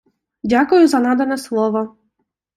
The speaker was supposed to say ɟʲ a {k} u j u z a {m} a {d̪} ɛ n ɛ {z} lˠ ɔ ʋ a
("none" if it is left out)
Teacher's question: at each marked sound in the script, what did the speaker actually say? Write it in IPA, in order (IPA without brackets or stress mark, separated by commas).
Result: k, n, d̪, s